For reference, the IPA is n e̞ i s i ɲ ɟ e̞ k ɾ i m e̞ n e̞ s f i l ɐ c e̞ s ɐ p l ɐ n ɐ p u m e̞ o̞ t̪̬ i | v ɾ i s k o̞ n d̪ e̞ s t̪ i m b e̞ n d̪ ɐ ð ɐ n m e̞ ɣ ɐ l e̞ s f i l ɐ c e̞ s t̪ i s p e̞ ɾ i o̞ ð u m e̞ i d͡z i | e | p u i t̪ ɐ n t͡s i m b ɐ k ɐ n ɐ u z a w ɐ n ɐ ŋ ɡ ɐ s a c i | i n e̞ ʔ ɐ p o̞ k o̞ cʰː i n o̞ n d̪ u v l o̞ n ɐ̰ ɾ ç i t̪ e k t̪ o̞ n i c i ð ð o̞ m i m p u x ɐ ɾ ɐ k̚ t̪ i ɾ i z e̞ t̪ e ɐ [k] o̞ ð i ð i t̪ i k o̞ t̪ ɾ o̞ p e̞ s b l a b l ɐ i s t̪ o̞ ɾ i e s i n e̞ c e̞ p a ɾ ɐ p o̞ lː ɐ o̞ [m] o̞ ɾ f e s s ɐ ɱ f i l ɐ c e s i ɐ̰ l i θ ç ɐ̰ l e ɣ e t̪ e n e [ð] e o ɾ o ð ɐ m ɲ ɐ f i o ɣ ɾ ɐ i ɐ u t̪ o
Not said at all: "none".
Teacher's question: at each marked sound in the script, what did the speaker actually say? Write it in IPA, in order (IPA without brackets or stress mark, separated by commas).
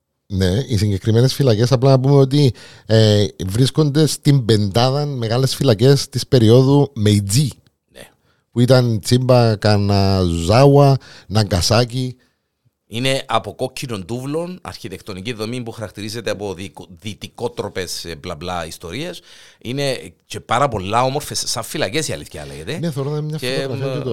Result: p, m, θ